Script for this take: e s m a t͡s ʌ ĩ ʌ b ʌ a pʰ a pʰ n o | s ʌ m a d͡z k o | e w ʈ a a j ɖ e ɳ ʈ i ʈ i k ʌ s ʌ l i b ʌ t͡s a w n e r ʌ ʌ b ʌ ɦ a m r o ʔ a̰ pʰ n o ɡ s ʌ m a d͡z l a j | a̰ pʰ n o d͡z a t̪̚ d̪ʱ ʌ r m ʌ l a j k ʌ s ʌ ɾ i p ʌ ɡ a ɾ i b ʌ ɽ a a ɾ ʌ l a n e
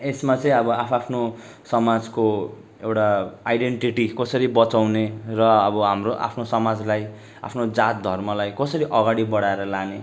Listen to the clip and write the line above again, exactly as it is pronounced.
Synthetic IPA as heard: e s m a t͡s ʌ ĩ ʌ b ʌ a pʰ a pʰ n o | s ʌ m a d͡z k o | e w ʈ a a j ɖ e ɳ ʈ i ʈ i k ʌ s ʌ ɾ i b ʌ t͡s a w n e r ʌ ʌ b ʌ ɦ a m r o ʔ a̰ pʰ n o s ʌ m a d͡z l a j | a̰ pʰ n o d͡z a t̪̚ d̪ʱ ʌ r m ʌ l a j k ʌ s ʌ ɾ i ʔ ʌ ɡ a ɽ i b ʌ ɽ a e ɾ ʌ l a n e